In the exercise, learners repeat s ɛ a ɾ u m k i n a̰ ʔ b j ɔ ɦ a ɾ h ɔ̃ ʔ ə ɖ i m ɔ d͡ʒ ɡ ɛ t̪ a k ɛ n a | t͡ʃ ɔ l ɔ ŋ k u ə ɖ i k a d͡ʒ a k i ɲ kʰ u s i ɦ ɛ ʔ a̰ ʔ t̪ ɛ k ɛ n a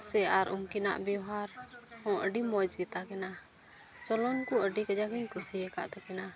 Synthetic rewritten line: s ɛ a ɾ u m k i n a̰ ʔ b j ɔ ɦ a ɾ h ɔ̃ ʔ ə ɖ i m ɔ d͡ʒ ɡ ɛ t̪ a k ɛ n a | t͡ʃ ɔ l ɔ n k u ə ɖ i k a d͡ʒ a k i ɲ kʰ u s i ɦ ɛ k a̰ ʔ t̪ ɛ k ɛ n a